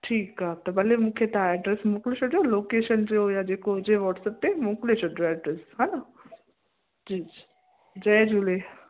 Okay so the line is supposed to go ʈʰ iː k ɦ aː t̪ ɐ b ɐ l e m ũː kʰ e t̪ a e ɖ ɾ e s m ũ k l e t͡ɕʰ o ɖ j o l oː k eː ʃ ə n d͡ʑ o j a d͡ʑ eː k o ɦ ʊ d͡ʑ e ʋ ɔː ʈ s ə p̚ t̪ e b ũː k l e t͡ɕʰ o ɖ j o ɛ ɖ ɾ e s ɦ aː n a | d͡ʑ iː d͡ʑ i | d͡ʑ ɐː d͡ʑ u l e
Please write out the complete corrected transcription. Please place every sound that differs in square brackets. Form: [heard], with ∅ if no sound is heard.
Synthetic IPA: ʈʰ iː k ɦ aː t̪ ɐ b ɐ l e m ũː kʰ e t̪ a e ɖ ɾ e s m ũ k l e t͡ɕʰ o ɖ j o l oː k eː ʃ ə n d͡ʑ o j a d͡ʑ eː k o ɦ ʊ d͡ʑ e ʋ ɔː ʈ s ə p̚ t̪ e [m] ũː k l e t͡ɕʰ o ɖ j o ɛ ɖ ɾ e s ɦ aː n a | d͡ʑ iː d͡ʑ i | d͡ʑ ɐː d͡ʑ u l e

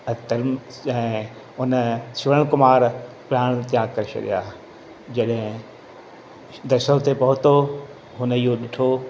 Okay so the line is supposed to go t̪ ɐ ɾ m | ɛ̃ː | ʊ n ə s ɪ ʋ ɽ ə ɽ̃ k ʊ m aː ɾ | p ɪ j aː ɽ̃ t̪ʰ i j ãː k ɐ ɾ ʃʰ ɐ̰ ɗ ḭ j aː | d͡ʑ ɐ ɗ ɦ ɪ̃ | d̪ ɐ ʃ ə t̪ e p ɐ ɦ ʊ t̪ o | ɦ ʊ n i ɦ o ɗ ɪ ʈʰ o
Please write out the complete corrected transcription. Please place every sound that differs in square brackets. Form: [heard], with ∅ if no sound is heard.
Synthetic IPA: t̪ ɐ ɾ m | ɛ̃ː | ʊ n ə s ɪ ʋ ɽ ə ɽ̃ k ʊ m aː ɾ | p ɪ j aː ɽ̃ [t̪] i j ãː k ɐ ɾ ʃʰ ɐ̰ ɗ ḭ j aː | d͡ʑ ɐ ɗ ɦ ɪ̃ | d̪ ɐ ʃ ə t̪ e p ɐ ɦ ʊ t̪ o | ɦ ʊ n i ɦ o ɗ ɪ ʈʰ o

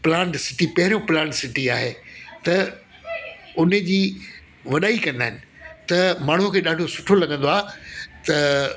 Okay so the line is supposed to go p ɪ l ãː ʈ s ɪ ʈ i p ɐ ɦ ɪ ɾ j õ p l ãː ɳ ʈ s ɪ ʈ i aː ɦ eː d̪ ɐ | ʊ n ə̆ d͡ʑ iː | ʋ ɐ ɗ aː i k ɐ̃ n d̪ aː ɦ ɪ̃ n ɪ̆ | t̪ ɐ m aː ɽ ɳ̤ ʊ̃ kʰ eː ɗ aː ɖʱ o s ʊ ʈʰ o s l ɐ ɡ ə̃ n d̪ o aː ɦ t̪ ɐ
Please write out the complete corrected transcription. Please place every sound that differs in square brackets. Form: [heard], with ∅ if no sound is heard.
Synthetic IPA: p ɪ l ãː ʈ s ɪ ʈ i p ɐ ɦ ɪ ɾ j õ p l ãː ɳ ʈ s ɪ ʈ i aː ɦ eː [t̪] ɐ | ʊ n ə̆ d͡ʑ iː | ʋ ɐ ɗ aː i k ɐ̃ n d̪ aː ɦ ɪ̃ n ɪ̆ | t̪ ɐ m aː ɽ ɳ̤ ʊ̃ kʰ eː ɗ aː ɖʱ o s ʊ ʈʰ o [∅] l ɐ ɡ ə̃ n d̪ o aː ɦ t̪ ɐ

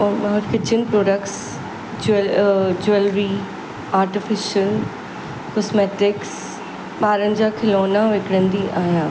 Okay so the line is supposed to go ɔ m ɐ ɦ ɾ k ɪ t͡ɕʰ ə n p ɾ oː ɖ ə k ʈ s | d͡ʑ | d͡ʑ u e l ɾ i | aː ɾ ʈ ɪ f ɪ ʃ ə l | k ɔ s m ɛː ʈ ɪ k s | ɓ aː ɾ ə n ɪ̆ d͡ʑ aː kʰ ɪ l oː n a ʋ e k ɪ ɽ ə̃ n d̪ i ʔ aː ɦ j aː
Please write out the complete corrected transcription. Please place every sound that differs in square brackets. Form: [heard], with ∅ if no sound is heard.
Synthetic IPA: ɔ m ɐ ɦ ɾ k ɪ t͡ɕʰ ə n p ɾ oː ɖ ə k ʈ s | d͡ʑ | d͡ʑ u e l ɾ i | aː ɾ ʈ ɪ f ɪ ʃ ə l | k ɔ s m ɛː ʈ ɪ k s | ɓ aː ɾ ə n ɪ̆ d͡ʑ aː kʰ ɪ l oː n a ʋ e k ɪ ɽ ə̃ n d̪ i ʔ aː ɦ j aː

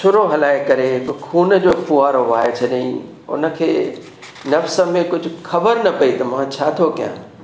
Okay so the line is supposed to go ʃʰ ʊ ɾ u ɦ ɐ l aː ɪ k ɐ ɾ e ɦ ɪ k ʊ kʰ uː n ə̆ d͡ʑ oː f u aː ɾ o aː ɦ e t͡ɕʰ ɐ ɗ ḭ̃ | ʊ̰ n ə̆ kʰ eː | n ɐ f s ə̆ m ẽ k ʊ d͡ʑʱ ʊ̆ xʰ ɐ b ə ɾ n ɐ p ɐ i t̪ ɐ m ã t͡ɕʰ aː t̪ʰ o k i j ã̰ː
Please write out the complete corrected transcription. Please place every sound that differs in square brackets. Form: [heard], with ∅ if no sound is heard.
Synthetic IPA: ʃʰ ʊ ɾ [o] ɦ ɐ l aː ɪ k ɐ ɾ e ɦ ɪ k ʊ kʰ uː n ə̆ d͡ʑ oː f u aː ɾ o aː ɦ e t͡ɕʰ ɐ ɗ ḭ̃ | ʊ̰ n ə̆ kʰ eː | n ɐ f s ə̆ m ẽ k ʊ d͡ʑʱ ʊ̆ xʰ ɐ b ə ɾ n ɐ p ɐ i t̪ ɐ m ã t͡ɕʰ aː t̪ʰ o k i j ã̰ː

